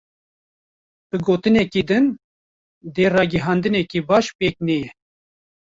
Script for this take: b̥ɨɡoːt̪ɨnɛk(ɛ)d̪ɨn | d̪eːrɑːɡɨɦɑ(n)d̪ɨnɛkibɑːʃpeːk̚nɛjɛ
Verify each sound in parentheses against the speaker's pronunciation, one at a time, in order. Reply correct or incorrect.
incorrect, correct

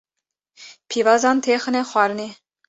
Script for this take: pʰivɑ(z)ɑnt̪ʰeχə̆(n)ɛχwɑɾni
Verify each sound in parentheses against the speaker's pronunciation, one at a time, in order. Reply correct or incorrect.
correct, correct

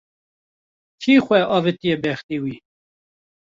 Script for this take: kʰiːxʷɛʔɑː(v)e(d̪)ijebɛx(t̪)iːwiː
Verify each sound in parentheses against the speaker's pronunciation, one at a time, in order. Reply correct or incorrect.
correct, incorrect, correct

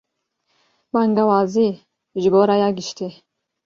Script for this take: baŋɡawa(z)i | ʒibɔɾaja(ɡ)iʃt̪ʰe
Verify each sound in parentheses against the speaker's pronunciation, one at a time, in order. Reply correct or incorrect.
correct, correct

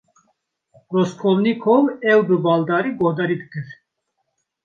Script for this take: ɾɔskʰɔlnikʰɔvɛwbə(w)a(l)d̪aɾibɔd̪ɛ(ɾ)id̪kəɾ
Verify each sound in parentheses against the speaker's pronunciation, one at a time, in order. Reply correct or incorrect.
incorrect, correct, correct

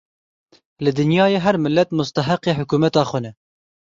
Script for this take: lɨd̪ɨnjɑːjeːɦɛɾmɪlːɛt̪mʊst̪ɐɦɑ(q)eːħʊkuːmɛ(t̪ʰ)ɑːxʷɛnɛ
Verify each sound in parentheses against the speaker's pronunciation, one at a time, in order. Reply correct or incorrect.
correct, incorrect

